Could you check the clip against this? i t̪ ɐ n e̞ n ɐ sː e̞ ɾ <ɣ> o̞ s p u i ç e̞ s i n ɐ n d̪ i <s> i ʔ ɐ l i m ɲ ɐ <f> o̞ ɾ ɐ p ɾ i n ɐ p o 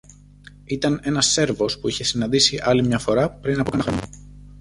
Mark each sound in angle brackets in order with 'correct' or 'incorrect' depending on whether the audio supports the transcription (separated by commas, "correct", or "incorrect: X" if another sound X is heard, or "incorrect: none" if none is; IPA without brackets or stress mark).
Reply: incorrect: v, correct, correct